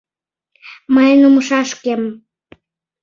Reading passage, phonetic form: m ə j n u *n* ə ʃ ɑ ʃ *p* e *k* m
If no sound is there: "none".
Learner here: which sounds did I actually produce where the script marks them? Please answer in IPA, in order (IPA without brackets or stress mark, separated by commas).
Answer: m, k, none